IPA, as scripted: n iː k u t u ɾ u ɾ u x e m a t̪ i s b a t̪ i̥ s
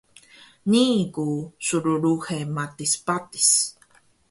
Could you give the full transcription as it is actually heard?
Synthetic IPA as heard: n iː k u s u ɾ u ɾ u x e m a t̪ i s p a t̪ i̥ s

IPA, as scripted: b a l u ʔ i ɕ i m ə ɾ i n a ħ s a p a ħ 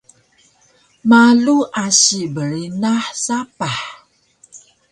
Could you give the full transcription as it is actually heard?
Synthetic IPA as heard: m a l u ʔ a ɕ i b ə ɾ i n a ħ s a p a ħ

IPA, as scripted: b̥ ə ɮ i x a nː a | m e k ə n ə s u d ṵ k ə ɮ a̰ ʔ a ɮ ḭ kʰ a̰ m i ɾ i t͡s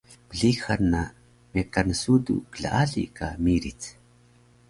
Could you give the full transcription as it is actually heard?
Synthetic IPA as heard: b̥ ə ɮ i x a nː a | m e k a n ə s u d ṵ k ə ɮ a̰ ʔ a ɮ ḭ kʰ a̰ m i ɾ i t͡s

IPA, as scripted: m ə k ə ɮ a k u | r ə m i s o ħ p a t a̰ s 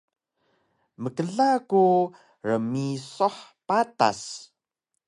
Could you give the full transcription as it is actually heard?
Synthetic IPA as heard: m ə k ə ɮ a k u | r ə m i s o ħ p a t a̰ s

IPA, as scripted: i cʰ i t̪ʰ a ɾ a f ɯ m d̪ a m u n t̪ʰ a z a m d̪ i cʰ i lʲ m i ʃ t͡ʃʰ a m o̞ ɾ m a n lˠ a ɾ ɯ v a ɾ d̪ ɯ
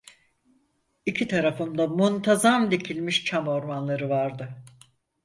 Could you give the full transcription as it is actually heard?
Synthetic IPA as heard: i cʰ i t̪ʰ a ɾ a f ɯ m d̪ a m u n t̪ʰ a z a m d̪ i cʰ i lʲ m i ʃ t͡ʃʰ a m o̞ ɾ m a n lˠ a ɾ ɯ v a ɾ d̪ ɯ

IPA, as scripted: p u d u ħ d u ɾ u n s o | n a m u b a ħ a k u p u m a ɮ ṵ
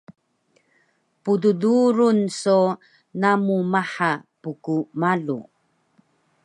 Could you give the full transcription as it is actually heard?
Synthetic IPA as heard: p u d u d u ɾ u n s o | n a m u m a ħ a p u k u m a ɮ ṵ

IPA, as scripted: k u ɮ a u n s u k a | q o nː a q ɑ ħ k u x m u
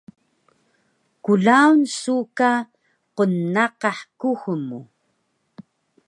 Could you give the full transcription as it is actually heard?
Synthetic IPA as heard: k u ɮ a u n s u k a | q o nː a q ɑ ħ k u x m u

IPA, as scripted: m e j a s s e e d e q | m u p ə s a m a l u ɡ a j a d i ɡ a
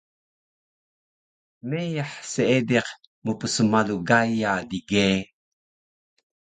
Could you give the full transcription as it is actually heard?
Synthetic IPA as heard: m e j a ħ s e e d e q | m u p ə s ə m a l u ɡ a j a d i ɡ e

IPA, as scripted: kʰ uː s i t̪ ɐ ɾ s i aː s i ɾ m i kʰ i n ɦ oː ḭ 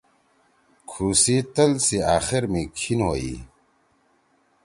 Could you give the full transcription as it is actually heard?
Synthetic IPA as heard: kʰ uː s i t̪ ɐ l s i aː x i ɾ m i kʰ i n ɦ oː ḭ

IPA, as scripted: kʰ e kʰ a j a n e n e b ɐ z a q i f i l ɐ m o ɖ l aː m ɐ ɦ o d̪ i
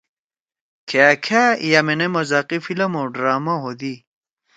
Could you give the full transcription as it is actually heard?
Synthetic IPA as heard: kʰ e kʰ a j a m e n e m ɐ z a q i f i l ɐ m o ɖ ɾ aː m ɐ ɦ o d̪ i

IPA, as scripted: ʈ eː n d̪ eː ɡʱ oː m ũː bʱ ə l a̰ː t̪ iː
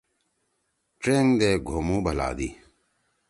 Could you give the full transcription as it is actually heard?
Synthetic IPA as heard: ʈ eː ŋ d̪ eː ɡʱ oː m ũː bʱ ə l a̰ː d̪ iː

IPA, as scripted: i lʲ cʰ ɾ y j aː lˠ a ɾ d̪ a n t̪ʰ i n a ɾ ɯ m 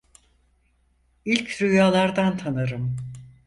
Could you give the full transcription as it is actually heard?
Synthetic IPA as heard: i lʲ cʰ ɾ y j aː lˠ a ɾ d̪ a n t̪ʰ a n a ɾ ɯ m

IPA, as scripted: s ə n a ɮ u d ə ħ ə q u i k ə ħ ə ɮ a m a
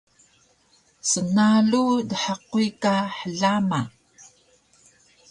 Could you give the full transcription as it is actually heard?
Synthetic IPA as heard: s ə n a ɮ u d ə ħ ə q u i k a ħ ə ɮ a m a

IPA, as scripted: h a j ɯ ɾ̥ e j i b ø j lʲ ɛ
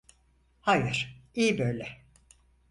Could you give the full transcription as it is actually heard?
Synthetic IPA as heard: h a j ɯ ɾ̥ i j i b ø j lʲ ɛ

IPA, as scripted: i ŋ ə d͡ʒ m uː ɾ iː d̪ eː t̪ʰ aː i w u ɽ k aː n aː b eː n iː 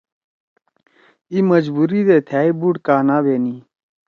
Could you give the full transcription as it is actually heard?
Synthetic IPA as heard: i m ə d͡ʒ b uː ɾ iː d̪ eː t̪ʰ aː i b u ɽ k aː n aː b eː n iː

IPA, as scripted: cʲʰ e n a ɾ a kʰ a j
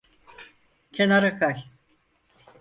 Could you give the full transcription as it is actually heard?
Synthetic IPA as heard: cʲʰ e n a ɾ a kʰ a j

